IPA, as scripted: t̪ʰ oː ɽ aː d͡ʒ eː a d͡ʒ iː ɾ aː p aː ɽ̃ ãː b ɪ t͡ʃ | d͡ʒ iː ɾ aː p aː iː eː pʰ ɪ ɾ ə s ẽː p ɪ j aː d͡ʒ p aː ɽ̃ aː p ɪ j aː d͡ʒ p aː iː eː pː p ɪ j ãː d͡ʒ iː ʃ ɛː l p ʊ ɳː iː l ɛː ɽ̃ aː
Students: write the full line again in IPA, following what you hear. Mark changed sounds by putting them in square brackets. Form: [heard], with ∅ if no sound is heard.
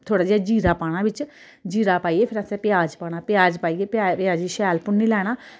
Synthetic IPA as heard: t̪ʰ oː ɽ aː d͡ʒ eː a d͡ʒ iː ɾ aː p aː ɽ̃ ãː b ɪ t͡ʃ | d͡ʒ iː ɾ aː p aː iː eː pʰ ɪ ɾ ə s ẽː p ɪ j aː d͡ʒ p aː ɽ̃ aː p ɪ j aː d͡ʒ p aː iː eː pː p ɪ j [aː] d͡ʒ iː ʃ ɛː l p ʊ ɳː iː l ɛː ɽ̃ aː